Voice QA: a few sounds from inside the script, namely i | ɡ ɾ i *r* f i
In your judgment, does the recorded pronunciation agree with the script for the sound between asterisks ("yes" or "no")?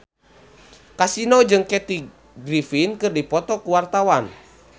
no